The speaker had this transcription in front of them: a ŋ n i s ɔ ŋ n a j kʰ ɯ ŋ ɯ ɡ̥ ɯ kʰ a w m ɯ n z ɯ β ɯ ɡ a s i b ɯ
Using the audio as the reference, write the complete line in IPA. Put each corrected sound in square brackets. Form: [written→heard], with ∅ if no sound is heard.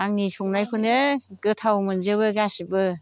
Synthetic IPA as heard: a ŋ n i s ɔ ŋ n a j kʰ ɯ [ŋ→n] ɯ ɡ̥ ɯ [kʰ→tʰ] a w m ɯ n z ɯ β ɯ ɡ a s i b ɯ